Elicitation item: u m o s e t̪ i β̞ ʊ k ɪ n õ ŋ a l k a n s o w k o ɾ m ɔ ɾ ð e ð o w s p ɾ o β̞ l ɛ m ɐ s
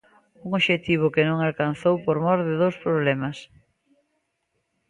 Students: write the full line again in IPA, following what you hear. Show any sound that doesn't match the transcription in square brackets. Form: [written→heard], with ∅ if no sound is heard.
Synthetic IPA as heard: u [m→ŋ] o [s→ʃ] e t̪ i β̞ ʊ k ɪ n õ ŋ a l k a n [s→θ] o w [k→p] o ɾ m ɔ ɾ ð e ð o w s p ɾ o β̞ l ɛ m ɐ s